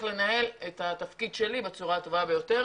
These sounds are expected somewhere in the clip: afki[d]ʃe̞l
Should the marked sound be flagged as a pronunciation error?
no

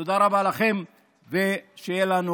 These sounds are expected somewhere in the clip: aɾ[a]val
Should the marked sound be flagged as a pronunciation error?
no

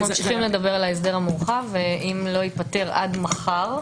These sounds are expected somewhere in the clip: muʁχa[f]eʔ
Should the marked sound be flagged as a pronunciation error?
yes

